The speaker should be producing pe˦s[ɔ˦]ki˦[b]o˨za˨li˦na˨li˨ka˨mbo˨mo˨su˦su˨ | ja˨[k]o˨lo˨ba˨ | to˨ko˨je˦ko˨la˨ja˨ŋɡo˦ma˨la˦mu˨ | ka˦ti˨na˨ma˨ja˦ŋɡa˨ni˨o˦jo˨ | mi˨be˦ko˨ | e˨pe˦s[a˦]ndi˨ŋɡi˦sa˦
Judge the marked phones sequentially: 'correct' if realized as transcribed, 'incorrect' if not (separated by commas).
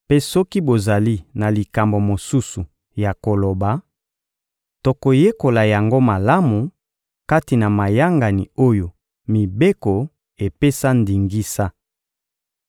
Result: correct, correct, correct, correct